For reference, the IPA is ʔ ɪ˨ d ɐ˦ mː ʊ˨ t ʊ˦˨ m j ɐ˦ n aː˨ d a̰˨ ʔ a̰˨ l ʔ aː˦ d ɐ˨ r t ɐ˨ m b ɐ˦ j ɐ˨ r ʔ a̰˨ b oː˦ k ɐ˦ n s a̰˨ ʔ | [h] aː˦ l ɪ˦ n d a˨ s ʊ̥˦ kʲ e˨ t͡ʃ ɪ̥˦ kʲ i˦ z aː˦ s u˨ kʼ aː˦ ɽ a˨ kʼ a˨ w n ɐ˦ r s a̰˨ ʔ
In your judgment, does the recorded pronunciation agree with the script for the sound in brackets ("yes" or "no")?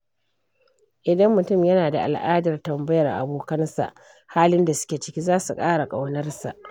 yes